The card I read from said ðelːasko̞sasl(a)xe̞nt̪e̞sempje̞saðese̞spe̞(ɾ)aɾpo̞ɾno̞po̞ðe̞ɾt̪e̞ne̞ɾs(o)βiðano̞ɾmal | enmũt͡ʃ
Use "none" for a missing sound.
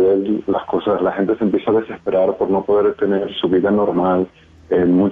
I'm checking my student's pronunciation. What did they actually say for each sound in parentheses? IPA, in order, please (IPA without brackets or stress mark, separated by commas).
a, ɾ, u